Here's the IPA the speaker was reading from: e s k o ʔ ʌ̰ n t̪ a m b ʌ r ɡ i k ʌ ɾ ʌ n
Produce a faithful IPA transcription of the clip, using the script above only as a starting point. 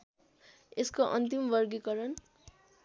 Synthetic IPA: e s k o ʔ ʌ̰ n t̪ i m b ʌ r ɡ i k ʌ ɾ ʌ n